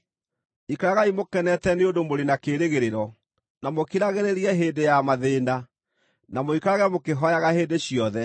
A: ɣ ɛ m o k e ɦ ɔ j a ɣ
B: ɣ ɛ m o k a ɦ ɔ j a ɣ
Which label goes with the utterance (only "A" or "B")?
A